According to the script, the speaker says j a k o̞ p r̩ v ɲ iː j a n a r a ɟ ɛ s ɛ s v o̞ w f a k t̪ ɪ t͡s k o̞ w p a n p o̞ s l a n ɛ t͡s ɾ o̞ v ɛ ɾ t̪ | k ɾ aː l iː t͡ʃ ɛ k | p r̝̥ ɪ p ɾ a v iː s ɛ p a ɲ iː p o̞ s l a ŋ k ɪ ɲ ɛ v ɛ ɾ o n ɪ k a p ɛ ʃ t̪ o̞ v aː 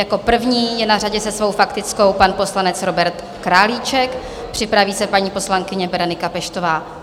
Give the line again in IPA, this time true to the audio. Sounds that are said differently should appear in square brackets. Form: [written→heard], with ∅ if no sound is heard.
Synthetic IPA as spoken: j a k o̞ p r̩ v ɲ iː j [a→ɛ] n a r a ɟ ɛ s ɛ s v o̞ w f a k t̪ ɪ t͡s k o̞ w p a n p o̞ s l a n ɛ t͡s ɾ o̞ [v→b] ɛ ɾ t̪ | k ɾ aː l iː t͡ʃ ɛ k | p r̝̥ ɪ p ɾ a v iː s ɛ p a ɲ iː p o̞ s l a ŋ k ɪ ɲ ɛ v ɛ ɾ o n ɪ k a p ɛ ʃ t̪ o̞ v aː

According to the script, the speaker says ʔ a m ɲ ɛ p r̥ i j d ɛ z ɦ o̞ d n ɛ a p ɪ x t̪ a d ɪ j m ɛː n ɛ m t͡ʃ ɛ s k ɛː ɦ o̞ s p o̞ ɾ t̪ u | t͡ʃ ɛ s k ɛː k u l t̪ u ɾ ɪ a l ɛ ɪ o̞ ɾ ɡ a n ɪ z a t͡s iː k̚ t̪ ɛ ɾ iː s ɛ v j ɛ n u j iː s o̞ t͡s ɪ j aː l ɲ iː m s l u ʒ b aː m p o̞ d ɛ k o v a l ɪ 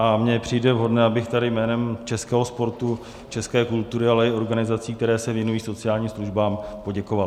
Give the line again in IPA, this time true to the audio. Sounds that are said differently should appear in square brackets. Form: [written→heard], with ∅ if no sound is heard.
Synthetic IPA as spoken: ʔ a m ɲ ɛ p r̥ i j d ɛ [z→v] ɦ o̞ d n ɛ a [p→b] ɪ x t̪ a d ɪ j m ɛː n ɛ m t͡ʃ ɛ s k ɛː ɦ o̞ s p o̞ ɾ t̪ u | t͡ʃ ɛ s k ɛː k u l t̪ u ɾ ɪ a l ɛ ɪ o̞ ɾ ɡ a n ɪ z a t͡s iː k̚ t̪ ɛ ɾ [iː→ɛː] s ɛ v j ɛ n u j iː s o̞ t͡s ɪ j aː l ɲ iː m s l u ʒ b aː m p o̞ [d→ɟ] ɛ k o v a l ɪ

